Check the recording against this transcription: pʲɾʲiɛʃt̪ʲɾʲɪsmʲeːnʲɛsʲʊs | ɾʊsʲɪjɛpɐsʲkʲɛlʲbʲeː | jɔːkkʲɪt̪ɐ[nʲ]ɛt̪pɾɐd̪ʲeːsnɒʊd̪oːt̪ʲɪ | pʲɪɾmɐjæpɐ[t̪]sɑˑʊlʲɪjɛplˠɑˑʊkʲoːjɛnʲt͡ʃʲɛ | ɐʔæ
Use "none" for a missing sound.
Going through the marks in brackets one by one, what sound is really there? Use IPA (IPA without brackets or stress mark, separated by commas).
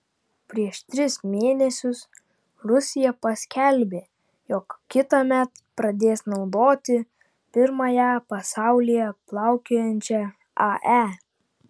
mʲ, none